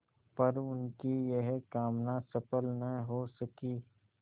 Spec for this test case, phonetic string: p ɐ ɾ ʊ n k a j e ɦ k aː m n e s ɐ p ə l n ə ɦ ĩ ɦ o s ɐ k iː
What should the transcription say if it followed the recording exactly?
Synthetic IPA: p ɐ ɾ ʊ n k i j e ɦ k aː m n a s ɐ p ə l n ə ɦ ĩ ɦ o s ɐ k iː